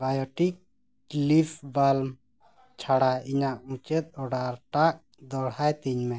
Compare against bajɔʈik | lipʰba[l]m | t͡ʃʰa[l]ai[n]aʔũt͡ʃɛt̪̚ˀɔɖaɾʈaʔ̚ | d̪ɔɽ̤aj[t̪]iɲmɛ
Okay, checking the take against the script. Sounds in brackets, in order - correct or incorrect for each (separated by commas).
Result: correct, incorrect, incorrect, correct